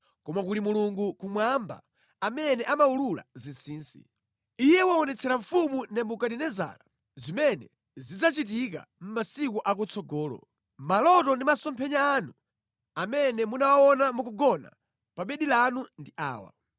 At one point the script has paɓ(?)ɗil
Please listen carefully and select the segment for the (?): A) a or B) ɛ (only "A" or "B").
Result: B